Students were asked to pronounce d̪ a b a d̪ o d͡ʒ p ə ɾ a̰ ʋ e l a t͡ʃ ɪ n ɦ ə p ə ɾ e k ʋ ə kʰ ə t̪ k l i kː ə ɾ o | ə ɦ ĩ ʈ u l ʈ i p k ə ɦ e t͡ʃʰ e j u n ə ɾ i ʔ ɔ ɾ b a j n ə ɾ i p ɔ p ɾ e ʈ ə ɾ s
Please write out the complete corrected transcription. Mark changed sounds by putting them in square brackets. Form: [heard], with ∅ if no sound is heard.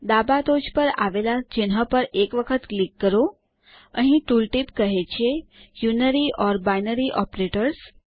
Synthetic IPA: d̪ a b a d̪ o d͡ʒ p ə ɾ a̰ ʋ e l a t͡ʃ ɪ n ɦ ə p ə ɾ e k ʋ ə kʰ ə t̪ k l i kː ə ɾ o | ə ɦ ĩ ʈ u l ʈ i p k ə ɦ e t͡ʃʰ e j u n ə ɾ i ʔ ɔ ɾ b a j n ə ɾ i [ʔ] ɔ p ɾ e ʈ ə ɾ s